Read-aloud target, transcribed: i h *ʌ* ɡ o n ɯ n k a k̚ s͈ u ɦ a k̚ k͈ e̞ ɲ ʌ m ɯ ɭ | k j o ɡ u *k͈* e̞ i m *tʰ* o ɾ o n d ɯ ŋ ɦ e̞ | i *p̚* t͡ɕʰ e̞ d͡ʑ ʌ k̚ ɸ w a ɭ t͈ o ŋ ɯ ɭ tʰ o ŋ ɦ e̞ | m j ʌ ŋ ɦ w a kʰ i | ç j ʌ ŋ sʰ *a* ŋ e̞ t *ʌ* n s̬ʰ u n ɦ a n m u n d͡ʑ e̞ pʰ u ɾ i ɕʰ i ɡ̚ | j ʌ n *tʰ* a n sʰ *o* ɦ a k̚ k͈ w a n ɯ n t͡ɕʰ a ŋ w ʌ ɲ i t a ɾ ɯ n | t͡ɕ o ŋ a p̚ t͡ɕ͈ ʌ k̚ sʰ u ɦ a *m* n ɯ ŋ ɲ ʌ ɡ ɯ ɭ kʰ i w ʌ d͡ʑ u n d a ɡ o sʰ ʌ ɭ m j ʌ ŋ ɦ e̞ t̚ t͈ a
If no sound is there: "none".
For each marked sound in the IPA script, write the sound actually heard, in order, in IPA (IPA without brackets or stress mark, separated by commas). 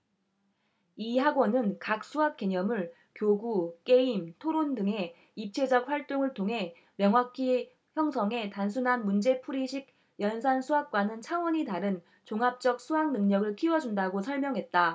a, k͈, tʰ, p̚, ʌ, a, sʰ, u, ŋ